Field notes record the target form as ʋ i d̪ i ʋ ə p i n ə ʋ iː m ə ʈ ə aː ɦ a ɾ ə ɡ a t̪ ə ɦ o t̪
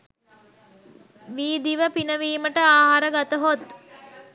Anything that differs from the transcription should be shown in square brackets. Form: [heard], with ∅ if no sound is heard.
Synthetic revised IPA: ʋ [iː] d̪ i ʋ ə p i n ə ʋ iː m ə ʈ ə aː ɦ a ɾ ə ɡ a t̪ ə ɦ o t̪